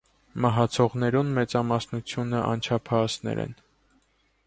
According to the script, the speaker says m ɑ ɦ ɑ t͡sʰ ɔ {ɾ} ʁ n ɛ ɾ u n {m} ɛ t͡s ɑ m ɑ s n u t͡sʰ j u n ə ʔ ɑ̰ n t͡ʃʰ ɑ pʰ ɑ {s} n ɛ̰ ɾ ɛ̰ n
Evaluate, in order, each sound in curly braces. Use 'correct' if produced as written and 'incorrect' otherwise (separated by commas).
incorrect, correct, correct